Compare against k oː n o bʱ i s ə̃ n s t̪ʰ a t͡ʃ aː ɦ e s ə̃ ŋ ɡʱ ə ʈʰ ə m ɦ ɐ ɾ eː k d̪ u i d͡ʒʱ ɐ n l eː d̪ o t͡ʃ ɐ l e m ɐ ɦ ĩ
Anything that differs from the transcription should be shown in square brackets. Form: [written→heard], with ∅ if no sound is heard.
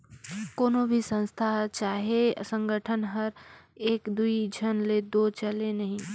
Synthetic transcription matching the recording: k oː n o bʱ i s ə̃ n s t̪ʰ a t͡ʃ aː ɦ e s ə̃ ŋ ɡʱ ə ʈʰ ə [m→n] ɦ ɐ ɾ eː k d̪ u i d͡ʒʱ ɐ n l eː d̪ o t͡ʃ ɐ l e [m→n] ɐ ɦ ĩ